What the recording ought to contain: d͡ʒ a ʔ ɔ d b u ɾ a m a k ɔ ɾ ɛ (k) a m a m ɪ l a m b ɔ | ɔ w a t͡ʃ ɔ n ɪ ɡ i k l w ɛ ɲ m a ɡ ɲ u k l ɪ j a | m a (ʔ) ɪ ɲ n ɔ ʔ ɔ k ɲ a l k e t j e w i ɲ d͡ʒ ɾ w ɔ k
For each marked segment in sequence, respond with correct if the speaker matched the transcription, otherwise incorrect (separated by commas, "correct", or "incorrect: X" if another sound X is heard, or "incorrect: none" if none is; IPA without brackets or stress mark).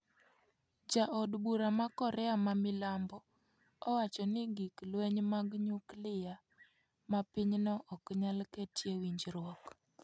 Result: incorrect: none, incorrect: p